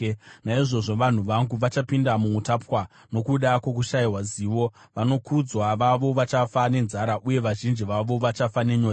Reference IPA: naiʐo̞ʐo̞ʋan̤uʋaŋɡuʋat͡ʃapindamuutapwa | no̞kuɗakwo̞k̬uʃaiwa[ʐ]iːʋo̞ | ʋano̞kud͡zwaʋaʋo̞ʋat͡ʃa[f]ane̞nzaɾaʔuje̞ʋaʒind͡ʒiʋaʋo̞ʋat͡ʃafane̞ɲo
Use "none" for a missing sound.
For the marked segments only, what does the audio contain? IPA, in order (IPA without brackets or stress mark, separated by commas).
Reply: z, f